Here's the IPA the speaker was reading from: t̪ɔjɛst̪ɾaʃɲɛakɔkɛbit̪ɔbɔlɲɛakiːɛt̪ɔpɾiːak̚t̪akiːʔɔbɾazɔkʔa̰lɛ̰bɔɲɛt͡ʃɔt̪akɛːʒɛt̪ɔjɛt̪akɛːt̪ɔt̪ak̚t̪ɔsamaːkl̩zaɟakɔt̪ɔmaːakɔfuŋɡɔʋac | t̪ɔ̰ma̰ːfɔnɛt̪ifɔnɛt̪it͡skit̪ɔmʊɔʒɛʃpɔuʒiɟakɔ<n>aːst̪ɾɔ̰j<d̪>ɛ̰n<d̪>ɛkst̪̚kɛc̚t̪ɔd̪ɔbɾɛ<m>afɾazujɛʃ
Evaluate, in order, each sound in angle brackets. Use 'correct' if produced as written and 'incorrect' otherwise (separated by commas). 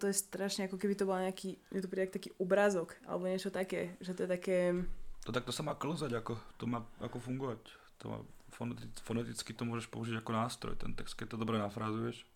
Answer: correct, incorrect, incorrect, incorrect